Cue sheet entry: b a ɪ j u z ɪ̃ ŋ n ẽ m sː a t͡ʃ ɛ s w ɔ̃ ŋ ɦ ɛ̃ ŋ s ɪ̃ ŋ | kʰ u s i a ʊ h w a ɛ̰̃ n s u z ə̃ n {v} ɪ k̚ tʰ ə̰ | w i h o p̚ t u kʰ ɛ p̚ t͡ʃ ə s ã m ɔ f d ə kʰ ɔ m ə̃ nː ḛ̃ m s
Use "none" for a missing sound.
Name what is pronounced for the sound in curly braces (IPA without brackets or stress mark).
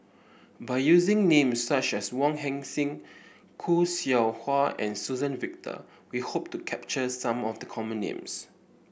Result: v